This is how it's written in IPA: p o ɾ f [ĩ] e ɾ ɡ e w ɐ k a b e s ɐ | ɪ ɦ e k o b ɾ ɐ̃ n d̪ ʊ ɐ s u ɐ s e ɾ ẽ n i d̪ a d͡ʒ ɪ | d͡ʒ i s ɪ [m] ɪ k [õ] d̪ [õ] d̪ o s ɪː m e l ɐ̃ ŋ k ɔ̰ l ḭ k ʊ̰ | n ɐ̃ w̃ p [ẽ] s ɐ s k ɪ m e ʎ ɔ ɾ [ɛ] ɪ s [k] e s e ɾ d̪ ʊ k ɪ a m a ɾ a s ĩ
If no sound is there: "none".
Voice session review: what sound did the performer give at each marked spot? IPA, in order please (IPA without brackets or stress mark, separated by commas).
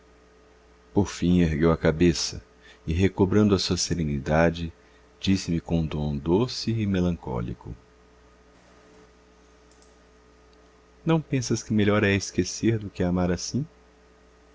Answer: ĩ, m, õ, õ, ẽ, ɛ, k